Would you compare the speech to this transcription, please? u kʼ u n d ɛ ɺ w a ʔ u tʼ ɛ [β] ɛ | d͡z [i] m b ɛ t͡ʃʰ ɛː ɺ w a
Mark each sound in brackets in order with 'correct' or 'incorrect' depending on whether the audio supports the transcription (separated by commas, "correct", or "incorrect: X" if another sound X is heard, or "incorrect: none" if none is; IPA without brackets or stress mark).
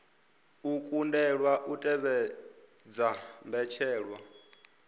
correct, incorrect: a